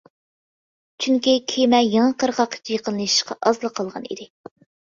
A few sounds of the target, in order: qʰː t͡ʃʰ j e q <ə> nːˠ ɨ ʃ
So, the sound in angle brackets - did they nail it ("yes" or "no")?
yes